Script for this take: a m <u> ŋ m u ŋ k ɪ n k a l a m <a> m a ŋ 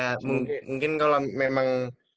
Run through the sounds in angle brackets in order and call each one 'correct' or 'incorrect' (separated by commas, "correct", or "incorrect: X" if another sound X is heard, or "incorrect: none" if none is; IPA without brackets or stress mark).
correct, incorrect: e